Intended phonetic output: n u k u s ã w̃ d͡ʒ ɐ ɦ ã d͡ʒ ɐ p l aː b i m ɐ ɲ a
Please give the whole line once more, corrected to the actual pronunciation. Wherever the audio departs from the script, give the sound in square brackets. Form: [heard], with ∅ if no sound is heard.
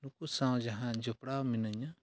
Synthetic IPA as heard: n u k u s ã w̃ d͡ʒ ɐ ɦ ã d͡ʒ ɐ p [ɽ] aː [m] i [n] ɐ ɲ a